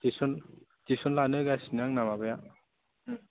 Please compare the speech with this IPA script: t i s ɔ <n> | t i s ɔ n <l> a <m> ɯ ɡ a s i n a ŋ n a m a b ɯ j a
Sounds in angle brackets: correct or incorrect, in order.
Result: correct, correct, incorrect: n

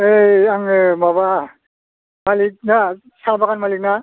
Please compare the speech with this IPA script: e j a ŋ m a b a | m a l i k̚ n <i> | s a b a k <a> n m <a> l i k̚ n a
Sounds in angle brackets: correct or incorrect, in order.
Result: incorrect: a, correct, correct

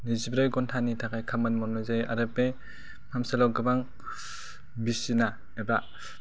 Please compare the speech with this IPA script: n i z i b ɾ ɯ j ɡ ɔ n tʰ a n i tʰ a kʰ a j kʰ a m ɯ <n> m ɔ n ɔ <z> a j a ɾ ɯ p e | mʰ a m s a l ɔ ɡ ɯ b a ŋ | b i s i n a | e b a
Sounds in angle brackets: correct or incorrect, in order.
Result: correct, correct

